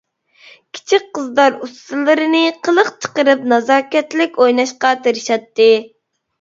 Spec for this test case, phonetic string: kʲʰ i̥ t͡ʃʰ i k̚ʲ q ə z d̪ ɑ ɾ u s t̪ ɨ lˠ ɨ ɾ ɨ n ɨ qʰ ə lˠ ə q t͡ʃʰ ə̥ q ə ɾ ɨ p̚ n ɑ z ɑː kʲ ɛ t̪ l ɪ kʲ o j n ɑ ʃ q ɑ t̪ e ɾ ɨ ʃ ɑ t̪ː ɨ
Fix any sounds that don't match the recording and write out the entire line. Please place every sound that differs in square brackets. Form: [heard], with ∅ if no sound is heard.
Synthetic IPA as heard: kʲʰ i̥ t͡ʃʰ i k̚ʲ q ə z d̪ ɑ ɾ u s t̪ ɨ lˠ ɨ ɾ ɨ n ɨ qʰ ə lˠ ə q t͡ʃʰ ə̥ q ə ɾ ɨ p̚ n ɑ z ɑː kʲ ɛ t̪ l ɪ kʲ o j n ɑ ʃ q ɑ t̪ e ɾ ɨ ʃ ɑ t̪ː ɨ